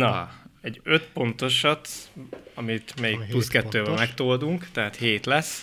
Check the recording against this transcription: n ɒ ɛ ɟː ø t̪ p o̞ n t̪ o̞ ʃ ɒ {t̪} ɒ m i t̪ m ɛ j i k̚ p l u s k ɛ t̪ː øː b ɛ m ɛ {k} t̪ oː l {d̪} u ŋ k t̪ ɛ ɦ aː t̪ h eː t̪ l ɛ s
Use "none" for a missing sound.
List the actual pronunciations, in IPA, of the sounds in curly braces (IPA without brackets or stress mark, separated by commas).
t̪, k, d̪